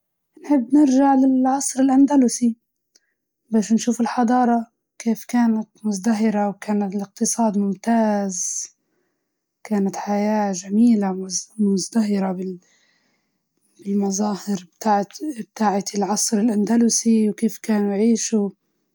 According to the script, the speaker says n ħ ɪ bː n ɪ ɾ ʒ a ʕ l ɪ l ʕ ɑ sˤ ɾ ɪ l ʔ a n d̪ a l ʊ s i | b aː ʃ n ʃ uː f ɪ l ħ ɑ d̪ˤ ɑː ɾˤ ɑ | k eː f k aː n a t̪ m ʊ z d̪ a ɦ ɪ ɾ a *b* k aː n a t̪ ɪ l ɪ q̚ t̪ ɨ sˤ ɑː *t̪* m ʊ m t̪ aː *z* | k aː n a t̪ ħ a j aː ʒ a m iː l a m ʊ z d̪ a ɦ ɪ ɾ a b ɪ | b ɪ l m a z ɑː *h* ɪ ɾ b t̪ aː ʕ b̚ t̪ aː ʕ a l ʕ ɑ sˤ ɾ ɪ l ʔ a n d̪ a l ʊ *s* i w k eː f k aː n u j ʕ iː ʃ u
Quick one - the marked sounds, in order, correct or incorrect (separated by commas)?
incorrect, incorrect, correct, correct, correct